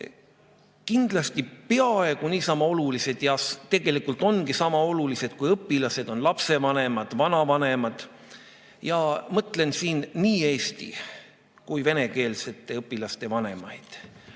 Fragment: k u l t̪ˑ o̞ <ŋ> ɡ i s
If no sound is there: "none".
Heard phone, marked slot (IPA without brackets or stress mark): n